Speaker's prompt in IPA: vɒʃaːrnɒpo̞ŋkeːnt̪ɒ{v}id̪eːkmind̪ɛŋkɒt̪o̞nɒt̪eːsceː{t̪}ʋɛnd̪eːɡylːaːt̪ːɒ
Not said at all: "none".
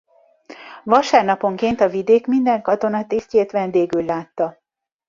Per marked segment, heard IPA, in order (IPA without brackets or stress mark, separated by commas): v, t̪